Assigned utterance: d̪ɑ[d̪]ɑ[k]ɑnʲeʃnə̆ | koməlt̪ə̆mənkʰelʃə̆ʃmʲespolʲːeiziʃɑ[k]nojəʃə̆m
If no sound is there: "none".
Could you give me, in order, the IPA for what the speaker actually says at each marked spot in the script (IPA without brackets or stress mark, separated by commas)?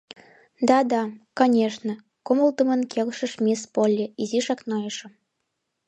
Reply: d̪, k, k